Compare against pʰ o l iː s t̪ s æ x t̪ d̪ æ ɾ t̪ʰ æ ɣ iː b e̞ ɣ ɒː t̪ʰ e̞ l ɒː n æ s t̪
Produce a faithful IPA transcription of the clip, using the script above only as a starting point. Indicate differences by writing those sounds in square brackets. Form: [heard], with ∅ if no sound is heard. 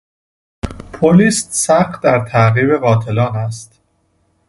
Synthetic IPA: pʰ o l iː s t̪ s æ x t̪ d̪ æ ɾ t̪ʰ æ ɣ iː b e̞ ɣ ɒː t̪ʰ e̞ l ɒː n æ s t̪